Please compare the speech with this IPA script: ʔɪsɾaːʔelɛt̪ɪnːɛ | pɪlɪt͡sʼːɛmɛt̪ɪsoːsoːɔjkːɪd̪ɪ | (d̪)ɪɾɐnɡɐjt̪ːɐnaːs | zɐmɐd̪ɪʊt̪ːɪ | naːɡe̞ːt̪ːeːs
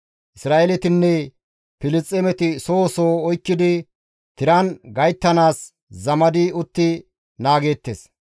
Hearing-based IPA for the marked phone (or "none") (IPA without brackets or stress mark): t̪